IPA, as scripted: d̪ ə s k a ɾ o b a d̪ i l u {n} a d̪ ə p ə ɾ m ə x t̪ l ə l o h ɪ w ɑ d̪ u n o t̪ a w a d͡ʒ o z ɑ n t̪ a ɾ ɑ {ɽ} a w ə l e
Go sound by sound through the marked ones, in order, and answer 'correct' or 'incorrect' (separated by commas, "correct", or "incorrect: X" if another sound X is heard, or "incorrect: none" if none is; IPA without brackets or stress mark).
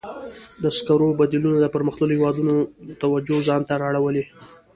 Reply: correct, correct